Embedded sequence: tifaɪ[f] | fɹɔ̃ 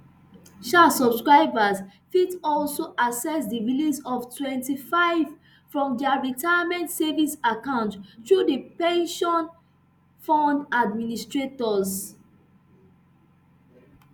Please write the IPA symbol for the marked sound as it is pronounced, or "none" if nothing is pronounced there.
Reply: v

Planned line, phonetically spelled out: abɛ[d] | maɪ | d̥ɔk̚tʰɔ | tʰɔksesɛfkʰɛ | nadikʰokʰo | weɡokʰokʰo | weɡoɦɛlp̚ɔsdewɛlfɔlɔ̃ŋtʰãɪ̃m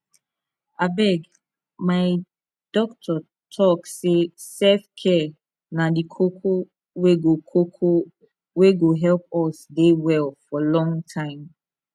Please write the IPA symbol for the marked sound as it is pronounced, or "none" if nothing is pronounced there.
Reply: ɡ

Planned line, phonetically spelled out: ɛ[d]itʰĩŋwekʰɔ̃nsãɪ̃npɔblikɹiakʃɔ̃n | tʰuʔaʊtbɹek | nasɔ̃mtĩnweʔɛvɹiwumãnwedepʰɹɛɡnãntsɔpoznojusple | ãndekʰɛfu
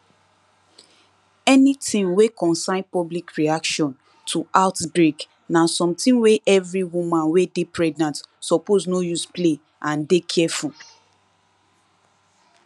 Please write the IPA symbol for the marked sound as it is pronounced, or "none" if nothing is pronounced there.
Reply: n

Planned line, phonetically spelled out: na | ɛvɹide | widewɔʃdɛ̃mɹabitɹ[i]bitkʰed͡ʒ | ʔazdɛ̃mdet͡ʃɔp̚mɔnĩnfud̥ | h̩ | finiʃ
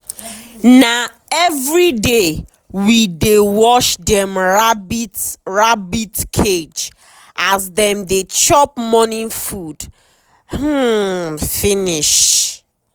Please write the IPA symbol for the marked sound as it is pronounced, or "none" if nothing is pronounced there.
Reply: a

